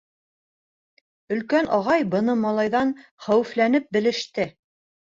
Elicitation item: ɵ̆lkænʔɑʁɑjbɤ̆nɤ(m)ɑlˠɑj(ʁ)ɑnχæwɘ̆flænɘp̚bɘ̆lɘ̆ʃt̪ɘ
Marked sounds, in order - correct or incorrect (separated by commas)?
correct, incorrect